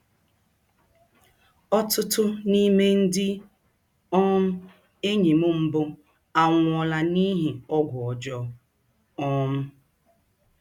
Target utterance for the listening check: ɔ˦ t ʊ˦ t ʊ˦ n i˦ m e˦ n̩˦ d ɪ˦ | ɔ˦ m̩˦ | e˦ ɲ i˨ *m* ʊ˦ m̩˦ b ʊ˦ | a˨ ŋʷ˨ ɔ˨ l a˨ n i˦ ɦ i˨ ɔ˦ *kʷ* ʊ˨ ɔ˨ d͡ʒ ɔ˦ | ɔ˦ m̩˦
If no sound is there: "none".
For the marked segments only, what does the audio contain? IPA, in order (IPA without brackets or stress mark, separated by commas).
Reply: m, ɡʷ